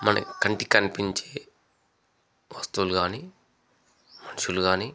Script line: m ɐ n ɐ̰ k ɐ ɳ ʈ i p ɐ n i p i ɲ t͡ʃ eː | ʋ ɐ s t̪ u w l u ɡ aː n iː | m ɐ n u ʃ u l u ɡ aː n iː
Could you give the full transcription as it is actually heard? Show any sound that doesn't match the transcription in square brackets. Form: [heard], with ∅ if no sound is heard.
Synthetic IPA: m ɐ n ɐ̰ k ɐ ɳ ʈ i [k] ɐ n i p i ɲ t͡ʃ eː | ʋ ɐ s t̪ u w l u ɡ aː n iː | m ɐ n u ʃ u l u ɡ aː n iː

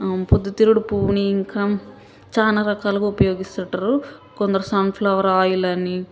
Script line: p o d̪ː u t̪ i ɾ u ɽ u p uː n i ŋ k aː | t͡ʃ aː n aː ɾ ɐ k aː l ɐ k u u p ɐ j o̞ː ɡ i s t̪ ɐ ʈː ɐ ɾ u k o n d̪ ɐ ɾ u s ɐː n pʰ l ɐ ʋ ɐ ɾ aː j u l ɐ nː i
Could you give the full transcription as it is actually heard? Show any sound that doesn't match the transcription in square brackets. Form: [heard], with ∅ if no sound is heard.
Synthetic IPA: p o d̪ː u t̪ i ɾ u ɽ u p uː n i ŋ k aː | t͡ʃ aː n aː ɾ ɐ k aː l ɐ k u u p ɐ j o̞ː ɡ i s t̪ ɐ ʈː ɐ ɾ u k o n d̪ ɐ ɾ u s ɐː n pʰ l ɐ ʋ ɐ ɾ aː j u l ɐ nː i

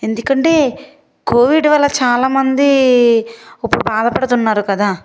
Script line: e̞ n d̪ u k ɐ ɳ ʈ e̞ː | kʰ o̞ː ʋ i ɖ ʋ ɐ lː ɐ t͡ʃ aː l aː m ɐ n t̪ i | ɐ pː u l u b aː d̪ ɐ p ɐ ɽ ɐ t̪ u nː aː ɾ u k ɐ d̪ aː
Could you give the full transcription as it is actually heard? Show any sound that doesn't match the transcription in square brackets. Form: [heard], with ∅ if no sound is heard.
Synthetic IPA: e̞ n d̪ u k ɐ ɳ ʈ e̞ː | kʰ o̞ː ʋ i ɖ ʋ ɐ lː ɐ t͡ʃ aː l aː m ɐ n [d̪] i | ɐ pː u [ɽ] u b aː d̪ ɐ p ɐ ɽ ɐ t̪ u nː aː ɾ u k ɐ d̪ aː

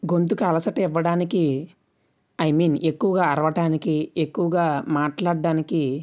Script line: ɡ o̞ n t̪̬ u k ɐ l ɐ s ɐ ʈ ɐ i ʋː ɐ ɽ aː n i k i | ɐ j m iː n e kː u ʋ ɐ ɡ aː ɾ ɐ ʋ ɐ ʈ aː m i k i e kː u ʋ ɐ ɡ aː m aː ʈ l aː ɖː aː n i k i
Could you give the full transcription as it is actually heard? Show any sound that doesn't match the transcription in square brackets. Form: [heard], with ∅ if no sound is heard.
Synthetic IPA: ɡ o̞ n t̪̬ u k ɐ l ɐ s ɐ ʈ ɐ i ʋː ɐ ɽ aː n i k i | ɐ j m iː n e kː u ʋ ɐ ɡ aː ɾ ɐ ʋ ɐ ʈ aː [n] i k i e kː u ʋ ɐ ɡ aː m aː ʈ l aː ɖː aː n i k i

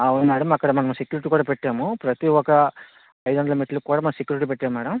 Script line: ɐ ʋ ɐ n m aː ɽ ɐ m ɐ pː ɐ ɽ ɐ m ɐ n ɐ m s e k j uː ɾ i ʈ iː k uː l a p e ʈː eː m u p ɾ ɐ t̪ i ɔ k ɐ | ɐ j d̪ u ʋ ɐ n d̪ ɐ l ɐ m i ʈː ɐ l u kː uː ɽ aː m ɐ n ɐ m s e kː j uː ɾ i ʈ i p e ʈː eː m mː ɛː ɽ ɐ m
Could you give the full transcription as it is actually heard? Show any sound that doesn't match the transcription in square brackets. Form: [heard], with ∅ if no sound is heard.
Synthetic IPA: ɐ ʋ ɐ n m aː ɽ ɐ m ɐ [kː] ɐ ɽ ɐ m ɐ n ɐ m s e k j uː ɾ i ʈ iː k uː [ɽ] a p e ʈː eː m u p ɾ ɐ t̪ i ɔ k ɐ | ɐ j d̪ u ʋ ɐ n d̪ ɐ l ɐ m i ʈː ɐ l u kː uː ɽ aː m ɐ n ɐ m s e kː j uː ɾ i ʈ i p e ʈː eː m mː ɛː ɽ ɐ m

